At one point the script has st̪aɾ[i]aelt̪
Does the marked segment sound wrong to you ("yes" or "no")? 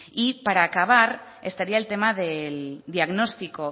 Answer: no